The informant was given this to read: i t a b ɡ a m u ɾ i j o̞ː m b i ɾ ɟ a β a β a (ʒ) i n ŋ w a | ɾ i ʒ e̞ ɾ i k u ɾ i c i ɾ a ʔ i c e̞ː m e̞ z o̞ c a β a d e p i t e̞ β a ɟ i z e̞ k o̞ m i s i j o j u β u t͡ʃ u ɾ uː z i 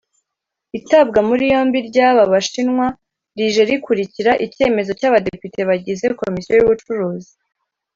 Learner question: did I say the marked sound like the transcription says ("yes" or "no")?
no